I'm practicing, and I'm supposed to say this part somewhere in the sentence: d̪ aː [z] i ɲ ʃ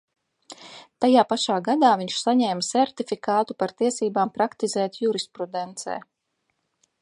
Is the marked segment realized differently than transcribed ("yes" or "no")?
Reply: yes